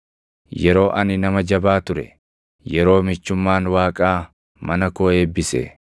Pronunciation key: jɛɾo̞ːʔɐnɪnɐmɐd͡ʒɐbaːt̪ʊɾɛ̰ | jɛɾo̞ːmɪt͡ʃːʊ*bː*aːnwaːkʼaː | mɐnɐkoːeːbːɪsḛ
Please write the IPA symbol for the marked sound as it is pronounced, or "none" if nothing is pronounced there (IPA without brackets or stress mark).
mː